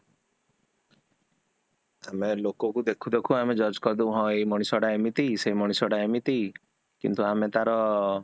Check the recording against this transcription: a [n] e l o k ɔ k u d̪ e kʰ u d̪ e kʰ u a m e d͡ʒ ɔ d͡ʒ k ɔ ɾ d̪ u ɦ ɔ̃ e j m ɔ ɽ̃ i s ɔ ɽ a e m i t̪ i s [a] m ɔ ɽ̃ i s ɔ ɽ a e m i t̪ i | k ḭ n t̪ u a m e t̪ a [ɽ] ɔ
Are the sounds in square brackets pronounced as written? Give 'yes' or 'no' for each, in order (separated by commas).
no, no, no